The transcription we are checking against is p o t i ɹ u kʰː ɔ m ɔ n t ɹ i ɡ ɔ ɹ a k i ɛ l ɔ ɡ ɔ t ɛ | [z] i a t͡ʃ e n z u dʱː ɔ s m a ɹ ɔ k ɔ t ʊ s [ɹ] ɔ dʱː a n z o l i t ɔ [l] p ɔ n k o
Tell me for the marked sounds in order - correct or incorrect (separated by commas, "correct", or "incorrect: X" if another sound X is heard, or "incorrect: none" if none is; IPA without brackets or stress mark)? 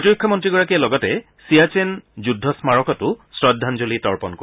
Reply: incorrect: s, correct, incorrect: ɹ